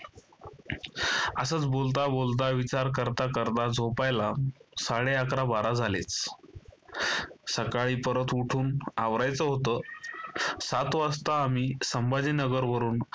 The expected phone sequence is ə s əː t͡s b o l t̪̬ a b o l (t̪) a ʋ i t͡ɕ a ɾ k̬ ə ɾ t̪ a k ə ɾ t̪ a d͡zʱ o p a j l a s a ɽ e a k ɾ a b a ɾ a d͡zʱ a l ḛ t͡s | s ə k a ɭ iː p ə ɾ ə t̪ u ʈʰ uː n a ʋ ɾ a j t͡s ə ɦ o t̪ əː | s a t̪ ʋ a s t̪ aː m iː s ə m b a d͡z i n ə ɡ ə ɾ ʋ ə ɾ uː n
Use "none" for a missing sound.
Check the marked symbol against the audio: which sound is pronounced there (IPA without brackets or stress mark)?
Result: t̪